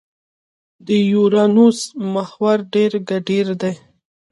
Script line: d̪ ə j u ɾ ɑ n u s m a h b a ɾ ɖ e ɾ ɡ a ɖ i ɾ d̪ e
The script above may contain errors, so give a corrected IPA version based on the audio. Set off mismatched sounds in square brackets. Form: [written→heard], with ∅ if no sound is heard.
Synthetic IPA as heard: d̪ ə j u ɾ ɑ n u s m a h [b→w] a ɾ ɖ e ɾ ɡ a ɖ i ɾ d̪ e